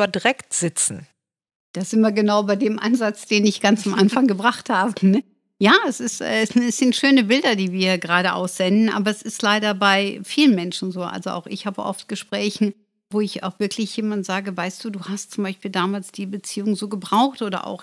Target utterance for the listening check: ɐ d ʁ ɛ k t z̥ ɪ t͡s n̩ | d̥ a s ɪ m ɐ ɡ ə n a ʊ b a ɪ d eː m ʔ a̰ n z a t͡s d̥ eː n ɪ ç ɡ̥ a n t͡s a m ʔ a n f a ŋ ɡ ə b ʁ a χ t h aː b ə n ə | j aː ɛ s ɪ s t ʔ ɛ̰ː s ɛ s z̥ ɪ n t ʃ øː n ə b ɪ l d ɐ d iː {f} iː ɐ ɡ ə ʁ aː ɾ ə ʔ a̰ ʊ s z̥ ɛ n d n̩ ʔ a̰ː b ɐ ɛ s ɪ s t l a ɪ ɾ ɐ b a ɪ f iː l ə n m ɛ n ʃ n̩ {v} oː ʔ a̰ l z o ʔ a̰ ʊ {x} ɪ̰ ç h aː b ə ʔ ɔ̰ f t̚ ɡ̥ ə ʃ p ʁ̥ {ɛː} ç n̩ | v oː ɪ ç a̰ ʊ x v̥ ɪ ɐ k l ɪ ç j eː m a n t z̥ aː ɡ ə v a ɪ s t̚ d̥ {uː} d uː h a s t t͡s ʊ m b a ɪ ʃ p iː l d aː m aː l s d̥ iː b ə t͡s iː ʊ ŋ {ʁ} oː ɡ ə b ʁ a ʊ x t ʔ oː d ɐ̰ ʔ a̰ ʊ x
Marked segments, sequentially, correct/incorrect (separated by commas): incorrect, incorrect, correct, correct, correct, incorrect